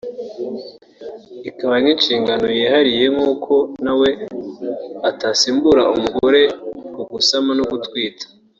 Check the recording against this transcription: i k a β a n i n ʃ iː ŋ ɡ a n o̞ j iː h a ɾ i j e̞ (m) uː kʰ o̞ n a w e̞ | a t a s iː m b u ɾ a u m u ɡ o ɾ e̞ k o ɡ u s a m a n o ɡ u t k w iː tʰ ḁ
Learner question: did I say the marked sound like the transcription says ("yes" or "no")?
no